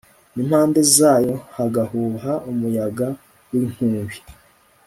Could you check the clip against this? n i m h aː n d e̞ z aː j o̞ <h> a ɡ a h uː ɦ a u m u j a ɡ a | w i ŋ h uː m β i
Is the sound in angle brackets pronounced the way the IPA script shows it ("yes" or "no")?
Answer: yes